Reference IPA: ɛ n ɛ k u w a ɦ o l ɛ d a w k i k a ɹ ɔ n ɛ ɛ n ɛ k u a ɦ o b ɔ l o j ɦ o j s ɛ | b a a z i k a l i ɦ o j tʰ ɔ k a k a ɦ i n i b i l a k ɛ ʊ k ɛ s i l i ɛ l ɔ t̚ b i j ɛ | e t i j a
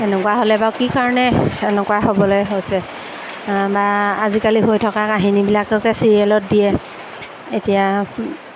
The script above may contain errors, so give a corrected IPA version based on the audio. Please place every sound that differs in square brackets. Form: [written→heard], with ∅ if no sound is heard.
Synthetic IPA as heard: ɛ n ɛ k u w a ɦ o l ɛ [d→b] a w k i k a ɹ ɔ n ɛ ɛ n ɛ k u a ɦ o b ɔ l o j ɦ o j s ɛ | b a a z i k a l i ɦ o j tʰ ɔ k a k a ɦ i n i b i l a k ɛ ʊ k ɛ s i [l→ɹ] i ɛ l ɔ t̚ [b→d] i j ɛ | e t i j a